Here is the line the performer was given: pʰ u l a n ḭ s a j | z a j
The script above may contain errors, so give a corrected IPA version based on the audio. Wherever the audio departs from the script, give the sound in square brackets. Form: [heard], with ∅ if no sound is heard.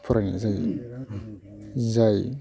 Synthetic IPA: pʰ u [ɾ] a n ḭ [z] a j | z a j